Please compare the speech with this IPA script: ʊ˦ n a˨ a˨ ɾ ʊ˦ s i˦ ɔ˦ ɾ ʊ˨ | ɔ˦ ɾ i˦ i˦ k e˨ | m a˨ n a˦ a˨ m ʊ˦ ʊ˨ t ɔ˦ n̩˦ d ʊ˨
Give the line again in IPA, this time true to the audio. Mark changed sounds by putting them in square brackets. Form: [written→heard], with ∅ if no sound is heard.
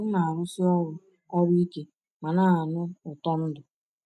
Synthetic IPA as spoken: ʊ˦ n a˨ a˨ ɾ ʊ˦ s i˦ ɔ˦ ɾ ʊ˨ | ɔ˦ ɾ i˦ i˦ k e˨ | m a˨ n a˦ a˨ [m→n] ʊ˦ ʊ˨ t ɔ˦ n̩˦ d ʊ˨